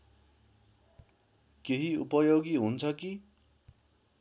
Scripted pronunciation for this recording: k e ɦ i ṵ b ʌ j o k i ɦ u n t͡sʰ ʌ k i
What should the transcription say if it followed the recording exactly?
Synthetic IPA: k e ɦ i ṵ p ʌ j o ɡ i ɦ u n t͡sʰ ʌ k i